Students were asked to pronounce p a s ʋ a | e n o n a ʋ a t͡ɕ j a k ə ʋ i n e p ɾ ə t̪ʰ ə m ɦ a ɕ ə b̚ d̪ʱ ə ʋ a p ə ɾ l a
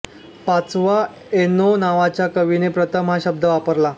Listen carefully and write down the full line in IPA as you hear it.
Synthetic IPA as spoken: p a t͡s ʋ a | e n o n a ʋ a t͡ɕ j a k ə ʋ i n e p ɾ ə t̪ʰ ə m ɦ a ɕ ə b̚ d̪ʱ ə ʋ a p ə ɾ l a